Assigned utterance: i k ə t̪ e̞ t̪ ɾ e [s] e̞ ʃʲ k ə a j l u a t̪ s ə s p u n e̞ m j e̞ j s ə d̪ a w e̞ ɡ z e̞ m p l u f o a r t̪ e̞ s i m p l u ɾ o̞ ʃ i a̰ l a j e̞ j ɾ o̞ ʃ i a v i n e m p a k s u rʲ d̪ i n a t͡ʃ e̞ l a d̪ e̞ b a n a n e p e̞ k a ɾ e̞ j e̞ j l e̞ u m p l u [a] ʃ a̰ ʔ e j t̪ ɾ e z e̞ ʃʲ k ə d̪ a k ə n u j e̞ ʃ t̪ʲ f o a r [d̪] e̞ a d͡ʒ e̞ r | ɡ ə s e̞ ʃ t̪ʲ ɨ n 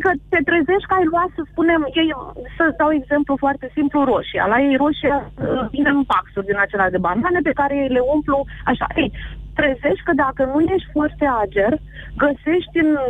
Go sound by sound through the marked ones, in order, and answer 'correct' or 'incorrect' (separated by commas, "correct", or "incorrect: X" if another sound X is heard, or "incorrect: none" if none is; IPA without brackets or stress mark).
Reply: incorrect: z, correct, incorrect: t̪